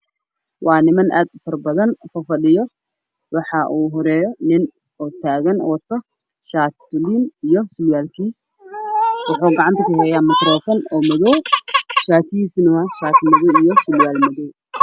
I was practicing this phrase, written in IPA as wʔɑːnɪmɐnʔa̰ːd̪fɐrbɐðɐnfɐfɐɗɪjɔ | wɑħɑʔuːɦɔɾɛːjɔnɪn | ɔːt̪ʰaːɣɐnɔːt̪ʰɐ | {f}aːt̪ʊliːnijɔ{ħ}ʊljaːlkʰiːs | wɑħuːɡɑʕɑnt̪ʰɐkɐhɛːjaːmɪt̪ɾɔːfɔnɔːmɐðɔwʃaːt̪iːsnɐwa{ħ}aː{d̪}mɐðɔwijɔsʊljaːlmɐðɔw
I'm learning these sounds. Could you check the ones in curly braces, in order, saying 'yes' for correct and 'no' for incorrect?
no, no, no, no

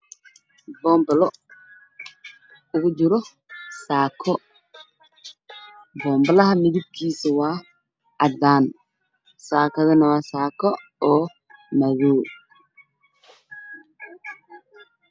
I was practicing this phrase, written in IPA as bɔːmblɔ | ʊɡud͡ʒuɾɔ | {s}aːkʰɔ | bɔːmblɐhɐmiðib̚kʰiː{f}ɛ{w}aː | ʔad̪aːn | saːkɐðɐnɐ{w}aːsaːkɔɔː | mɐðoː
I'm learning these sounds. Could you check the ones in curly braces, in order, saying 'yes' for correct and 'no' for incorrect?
yes, no, yes, yes

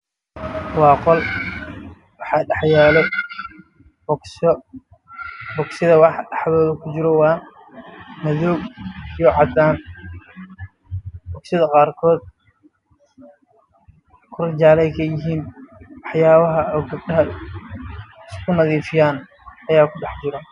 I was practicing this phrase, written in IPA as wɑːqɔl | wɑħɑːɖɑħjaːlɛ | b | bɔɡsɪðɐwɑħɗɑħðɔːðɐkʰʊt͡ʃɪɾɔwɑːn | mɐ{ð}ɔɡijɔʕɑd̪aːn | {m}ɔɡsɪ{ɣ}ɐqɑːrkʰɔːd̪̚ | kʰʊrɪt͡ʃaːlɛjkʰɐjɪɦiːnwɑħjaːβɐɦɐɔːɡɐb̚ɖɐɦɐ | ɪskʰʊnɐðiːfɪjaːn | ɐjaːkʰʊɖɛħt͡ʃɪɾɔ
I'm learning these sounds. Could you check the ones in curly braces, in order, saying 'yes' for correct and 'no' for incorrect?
yes, no, no

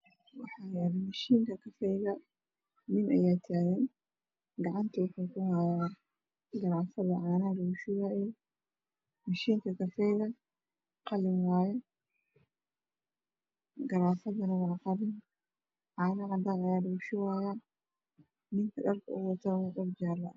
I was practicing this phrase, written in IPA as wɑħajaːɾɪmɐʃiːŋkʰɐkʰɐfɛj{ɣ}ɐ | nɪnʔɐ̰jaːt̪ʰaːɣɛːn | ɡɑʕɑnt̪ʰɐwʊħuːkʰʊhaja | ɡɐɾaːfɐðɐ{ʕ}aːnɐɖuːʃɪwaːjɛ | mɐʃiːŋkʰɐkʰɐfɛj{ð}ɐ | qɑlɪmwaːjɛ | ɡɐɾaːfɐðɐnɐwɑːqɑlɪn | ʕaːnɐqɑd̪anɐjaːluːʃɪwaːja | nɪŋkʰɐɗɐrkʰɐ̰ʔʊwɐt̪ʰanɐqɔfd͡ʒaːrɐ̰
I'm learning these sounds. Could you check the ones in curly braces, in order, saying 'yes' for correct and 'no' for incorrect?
yes, yes, no

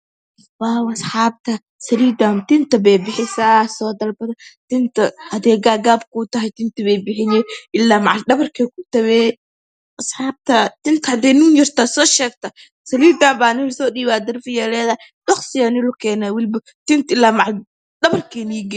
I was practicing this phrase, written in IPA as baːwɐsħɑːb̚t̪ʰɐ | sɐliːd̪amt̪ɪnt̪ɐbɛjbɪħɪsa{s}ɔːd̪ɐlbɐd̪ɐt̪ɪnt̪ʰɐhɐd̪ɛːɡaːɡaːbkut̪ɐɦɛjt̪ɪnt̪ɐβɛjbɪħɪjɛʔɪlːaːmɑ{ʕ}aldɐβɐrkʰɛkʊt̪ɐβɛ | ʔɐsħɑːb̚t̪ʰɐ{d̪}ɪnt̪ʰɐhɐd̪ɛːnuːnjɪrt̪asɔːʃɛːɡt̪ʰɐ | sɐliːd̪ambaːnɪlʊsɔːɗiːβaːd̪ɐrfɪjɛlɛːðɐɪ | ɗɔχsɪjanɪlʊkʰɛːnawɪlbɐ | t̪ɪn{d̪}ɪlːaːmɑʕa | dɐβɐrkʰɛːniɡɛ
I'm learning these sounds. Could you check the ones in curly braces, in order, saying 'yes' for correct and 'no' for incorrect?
yes, yes, no, no

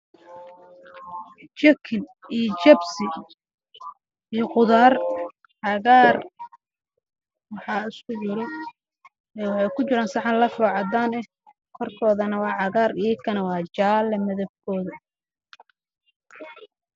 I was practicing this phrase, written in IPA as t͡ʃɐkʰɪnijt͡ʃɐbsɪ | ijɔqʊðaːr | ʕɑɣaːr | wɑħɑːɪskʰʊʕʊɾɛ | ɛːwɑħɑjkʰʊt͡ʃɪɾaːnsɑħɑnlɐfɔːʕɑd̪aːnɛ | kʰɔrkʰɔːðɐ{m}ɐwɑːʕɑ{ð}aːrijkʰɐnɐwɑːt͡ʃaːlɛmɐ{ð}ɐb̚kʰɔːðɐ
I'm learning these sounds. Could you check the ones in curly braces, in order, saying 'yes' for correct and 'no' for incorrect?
no, no, yes

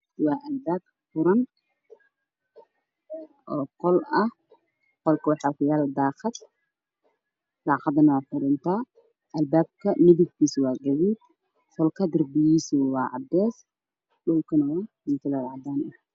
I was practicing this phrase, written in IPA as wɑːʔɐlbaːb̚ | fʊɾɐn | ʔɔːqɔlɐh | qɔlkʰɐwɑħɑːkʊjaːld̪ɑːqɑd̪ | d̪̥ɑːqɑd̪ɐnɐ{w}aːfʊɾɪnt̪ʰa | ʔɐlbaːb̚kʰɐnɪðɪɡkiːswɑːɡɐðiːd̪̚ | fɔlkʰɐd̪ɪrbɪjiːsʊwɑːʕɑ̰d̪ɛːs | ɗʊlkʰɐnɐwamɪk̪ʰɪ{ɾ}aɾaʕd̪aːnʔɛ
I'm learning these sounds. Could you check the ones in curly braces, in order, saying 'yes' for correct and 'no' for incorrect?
yes, no

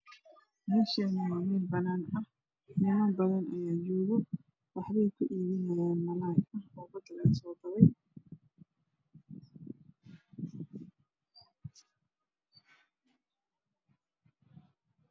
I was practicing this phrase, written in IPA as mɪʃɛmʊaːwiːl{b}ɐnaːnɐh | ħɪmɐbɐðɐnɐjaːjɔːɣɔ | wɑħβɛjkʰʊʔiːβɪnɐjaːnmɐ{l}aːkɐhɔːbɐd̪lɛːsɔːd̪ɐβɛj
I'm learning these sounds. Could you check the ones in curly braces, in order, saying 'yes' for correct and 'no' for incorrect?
yes, yes

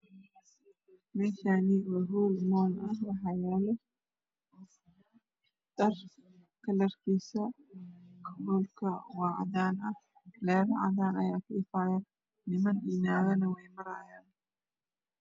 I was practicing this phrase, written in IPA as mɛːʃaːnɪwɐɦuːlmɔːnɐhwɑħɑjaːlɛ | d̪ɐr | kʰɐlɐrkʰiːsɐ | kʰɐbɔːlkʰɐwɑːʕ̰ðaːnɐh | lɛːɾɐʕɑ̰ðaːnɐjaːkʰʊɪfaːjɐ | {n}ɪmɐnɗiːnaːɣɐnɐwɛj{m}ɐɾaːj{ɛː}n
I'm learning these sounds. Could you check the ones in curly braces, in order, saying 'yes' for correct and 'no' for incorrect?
yes, yes, no

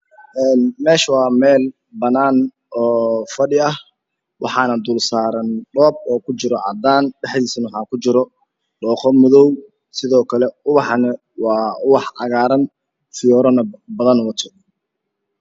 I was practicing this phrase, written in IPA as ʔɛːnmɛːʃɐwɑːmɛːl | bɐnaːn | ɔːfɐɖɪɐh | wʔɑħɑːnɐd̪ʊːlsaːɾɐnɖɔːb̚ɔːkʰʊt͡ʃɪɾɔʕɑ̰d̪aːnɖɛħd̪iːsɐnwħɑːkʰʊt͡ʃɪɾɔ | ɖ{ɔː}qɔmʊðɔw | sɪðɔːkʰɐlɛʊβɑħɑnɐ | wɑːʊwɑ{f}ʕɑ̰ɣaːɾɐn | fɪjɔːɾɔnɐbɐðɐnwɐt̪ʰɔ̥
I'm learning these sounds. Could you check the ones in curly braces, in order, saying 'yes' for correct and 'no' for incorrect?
yes, no

